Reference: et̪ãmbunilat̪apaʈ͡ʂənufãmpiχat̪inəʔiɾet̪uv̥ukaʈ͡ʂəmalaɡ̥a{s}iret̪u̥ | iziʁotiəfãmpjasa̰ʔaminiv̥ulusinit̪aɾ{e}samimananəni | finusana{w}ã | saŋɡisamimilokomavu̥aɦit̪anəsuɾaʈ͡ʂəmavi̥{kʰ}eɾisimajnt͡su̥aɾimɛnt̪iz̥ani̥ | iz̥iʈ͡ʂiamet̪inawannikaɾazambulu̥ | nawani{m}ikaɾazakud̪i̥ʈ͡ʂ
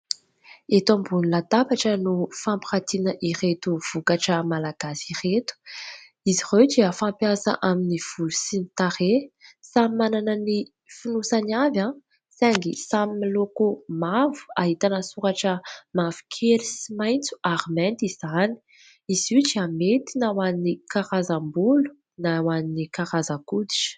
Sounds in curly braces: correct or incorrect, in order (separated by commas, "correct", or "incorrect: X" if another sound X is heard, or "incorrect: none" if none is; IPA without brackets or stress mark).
correct, correct, incorrect: v, correct, incorrect: n